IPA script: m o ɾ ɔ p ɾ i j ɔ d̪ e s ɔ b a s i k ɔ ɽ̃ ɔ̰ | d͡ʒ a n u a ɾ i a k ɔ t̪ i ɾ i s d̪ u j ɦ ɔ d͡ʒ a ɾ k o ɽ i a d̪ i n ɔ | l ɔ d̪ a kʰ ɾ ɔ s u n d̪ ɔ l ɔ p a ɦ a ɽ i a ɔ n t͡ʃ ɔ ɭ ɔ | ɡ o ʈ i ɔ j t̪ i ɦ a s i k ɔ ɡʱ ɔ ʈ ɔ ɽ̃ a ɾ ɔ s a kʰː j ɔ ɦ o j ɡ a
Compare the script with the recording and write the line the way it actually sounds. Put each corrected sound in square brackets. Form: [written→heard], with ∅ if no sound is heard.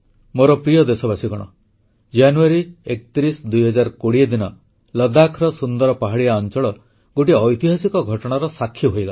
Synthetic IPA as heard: m o ɾ ɔ p ɾ i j ɔ d̪ e s ɔ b a s i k ɔ ɽ̃ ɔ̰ | d͡ʒ a n u a ɾ i [a→e] k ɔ t̪ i ɾ i s d̪ u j ɦ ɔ d͡ʒ a ɾ k o ɽ i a d̪ i n ɔ | l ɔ d̪ a kʰ ɾ ɔ s u n d̪ ɔ [l→ɾ] ɔ p a ɦ a ɽ i a ɔ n t͡ʃ ɔ ɭ ɔ | ɡ o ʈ i ɔ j t̪ i ɦ a s i k ɔ ɡʱ ɔ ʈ ɔ ɽ̃ a ɾ ɔ s a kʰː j ɔ ɦ o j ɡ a